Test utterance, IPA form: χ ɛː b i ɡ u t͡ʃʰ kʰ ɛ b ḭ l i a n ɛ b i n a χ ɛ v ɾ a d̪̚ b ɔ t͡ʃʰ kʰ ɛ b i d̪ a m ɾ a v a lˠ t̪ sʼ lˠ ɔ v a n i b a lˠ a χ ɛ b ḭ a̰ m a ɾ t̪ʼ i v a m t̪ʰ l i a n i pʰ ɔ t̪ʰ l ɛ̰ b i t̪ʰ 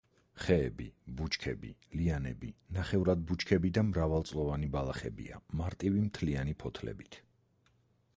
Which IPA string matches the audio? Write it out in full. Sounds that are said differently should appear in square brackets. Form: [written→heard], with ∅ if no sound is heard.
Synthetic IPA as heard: χ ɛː b i [ɡ→b] u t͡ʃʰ kʰ ɛ b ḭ l i a n ɛ b i n a χ ɛ v ɾ a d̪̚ b [ɔ→u] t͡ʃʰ kʰ ɛ b i d̪ a m ɾ a v a lˠ t̪ sʼ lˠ ɔ v a n i b a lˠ a χ ɛ b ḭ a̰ m a ɾ t̪ʼ i v [a→i] m t̪ʰ l i a n i pʰ ɔ t̪ʰ l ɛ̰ b i t̪ʰ